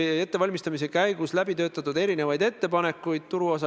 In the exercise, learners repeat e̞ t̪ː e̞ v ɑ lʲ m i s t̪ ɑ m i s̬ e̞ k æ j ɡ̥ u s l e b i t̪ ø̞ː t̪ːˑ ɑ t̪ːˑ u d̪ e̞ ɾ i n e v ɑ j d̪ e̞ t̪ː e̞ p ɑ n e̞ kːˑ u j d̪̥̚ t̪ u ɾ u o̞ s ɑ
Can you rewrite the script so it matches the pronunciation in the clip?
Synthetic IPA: e̞ t̪ː e̞ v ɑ lʲ m i s t̪ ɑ m i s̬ e̞ k æ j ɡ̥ u s l æ b i t̪ ø̞ː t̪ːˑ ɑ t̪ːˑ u d̪ e̞ ɾ i n e v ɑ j d̪ e̞ t̪ː e̞ p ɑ n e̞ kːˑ u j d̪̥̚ t̪ u ɾ u o̞ s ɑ